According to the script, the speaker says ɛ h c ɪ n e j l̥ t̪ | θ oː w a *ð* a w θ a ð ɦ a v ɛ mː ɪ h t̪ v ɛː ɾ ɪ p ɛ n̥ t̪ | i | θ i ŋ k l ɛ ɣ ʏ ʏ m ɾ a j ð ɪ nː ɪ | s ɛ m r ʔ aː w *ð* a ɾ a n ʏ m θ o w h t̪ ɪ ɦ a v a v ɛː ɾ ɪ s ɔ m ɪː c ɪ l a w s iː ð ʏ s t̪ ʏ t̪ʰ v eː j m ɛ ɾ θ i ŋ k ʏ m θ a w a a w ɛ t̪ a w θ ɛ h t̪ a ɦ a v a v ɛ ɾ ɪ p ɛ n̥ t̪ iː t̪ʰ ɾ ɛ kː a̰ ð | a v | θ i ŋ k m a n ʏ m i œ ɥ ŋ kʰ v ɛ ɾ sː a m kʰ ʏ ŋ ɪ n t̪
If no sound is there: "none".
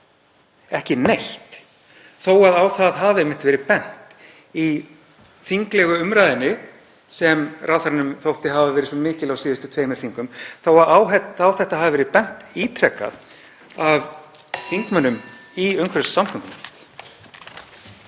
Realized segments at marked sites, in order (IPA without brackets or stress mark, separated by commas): ð, θ